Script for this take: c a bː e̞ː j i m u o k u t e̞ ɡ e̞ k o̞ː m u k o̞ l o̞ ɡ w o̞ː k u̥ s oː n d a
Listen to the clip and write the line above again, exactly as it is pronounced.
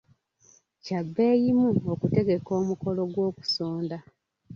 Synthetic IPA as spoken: c a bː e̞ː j i m u o k u t e̞ ɡ e̞ k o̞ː m u k o̞ l o̞ ɡ w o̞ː k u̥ s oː n d a